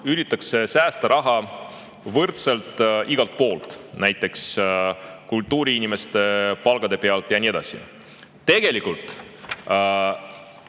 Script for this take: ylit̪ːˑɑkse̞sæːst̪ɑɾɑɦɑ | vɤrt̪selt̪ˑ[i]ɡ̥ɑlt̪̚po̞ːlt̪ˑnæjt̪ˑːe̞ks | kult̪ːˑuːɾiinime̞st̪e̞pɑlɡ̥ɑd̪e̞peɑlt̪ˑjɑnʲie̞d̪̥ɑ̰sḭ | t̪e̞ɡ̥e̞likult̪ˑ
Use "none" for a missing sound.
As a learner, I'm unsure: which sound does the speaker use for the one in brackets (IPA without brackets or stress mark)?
i